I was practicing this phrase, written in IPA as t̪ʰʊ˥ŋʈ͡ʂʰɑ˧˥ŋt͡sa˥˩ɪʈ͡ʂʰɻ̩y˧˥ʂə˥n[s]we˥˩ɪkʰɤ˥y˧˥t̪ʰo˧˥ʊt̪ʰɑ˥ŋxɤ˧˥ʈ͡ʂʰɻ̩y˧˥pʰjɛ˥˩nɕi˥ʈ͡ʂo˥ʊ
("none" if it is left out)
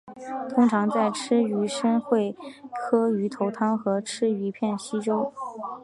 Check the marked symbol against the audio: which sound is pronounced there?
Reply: x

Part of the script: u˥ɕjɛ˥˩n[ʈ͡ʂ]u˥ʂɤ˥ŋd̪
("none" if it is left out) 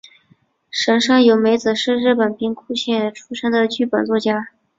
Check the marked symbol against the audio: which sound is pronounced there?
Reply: ʈ͡ʂʰ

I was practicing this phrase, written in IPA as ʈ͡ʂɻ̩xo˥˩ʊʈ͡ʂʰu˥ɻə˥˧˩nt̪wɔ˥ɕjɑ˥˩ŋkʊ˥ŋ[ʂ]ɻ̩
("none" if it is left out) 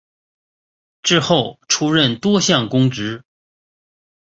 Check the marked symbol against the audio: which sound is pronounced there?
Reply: ʈ͡ʂ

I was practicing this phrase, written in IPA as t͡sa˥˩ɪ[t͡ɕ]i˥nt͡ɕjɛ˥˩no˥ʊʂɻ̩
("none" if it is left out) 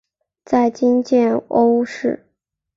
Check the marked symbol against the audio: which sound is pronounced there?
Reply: t͡ɕ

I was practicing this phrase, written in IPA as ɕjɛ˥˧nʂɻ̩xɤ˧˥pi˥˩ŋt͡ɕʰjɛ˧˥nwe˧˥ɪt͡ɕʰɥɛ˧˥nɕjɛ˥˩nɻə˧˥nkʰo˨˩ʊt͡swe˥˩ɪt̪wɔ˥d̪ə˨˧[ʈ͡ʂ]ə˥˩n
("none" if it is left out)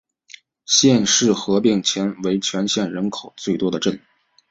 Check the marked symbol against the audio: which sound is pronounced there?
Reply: ʈ͡ʂ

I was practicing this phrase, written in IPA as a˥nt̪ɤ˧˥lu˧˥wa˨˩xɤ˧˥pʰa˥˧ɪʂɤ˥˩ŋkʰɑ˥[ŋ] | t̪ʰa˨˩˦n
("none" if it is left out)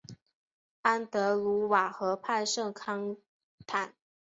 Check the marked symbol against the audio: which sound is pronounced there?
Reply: ŋ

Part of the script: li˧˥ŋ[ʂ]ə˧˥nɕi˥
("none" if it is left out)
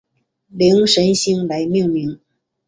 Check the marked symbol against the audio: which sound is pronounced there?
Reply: ʂ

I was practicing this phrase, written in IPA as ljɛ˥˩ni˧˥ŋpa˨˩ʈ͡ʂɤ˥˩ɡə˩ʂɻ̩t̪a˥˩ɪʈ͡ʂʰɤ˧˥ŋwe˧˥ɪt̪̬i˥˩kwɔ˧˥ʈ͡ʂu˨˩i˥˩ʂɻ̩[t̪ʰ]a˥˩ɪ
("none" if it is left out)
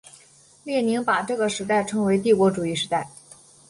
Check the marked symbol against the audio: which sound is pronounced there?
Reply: t̪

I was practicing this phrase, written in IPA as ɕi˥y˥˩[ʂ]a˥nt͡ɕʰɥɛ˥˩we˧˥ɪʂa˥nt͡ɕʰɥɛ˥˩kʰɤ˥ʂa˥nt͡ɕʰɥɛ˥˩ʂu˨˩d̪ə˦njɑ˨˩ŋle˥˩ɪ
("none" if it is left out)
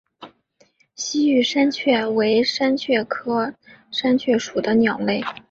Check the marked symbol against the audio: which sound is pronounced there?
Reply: ʂ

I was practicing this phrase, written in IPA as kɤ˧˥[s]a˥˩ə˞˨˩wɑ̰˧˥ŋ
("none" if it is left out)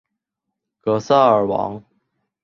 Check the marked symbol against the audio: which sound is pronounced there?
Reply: s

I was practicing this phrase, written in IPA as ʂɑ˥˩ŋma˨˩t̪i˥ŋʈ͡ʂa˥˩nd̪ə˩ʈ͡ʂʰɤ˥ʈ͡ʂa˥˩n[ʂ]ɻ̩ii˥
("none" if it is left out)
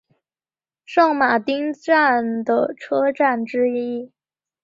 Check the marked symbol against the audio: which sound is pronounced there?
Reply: ʈ͡ʂ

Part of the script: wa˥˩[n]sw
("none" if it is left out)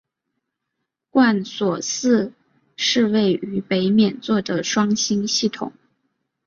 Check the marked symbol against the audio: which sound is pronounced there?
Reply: n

